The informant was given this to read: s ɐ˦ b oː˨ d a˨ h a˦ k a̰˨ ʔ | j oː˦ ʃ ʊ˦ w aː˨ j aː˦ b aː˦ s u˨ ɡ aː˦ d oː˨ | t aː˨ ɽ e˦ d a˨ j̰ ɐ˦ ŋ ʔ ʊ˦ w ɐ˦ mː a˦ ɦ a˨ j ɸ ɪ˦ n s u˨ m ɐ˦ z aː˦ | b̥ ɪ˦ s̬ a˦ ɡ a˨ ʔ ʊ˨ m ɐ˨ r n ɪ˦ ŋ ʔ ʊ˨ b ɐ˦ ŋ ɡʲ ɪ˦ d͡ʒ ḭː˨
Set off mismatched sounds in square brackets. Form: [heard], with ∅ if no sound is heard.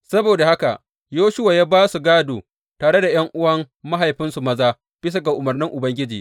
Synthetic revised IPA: s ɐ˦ b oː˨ d a˨ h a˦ k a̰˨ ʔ | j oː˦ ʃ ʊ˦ w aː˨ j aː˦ b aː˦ s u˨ ɡ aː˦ d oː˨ | t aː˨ ɽ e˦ d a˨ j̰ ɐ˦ ŋ ʔ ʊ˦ w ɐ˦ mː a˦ ɦ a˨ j ɸ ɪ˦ n s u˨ m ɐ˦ z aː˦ | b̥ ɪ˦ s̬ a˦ ɡ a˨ ʔ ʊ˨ m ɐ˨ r n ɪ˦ ŋ ʔ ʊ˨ b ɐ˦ ŋ ɡʲ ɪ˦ d͡ʒ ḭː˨